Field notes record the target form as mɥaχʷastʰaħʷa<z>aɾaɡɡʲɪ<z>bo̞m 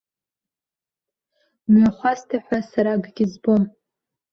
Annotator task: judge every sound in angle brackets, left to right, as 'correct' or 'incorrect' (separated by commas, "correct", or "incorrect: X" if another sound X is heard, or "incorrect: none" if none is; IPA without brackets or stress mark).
incorrect: s, correct